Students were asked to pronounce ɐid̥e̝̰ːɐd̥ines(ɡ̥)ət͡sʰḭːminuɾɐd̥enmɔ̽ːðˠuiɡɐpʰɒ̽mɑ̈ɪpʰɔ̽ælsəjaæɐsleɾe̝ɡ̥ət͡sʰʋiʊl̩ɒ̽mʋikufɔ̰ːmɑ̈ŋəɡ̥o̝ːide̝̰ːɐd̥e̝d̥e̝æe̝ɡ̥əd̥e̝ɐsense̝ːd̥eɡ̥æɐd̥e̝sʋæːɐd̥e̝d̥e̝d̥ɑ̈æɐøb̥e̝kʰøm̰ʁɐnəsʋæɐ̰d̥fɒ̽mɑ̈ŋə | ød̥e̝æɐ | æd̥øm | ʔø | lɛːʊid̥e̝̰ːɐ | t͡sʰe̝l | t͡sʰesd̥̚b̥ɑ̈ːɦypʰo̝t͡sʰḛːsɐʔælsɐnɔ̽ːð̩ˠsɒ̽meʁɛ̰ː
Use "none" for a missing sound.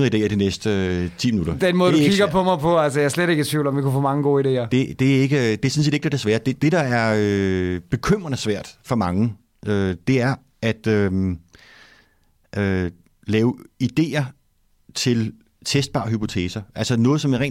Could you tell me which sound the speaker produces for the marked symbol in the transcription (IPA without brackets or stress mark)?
d̥